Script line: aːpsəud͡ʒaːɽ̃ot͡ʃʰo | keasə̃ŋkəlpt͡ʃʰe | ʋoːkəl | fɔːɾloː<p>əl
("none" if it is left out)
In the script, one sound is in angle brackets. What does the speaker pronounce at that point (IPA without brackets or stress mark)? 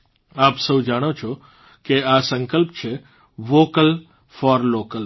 k